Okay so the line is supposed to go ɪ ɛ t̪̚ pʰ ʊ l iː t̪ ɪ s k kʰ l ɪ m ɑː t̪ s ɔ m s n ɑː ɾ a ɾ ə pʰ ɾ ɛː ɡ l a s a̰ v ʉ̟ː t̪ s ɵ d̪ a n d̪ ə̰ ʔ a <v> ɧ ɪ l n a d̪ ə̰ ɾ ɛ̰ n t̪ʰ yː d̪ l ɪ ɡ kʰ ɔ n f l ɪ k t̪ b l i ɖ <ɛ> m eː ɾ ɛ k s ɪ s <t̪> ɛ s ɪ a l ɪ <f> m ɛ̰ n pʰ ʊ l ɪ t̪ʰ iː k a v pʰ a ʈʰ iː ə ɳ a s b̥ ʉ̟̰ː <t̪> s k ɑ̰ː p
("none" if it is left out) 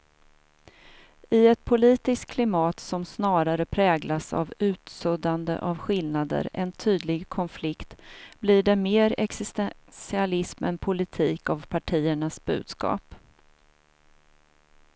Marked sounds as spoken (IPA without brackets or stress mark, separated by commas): v, ɛ, t̪, s, d̪